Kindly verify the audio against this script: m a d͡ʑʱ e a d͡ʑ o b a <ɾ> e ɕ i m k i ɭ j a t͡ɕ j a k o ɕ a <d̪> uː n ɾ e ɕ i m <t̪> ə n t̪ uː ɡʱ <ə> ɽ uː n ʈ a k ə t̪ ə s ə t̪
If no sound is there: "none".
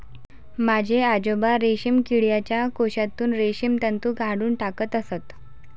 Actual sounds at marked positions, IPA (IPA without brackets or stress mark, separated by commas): ɾ, t̪, t̪, a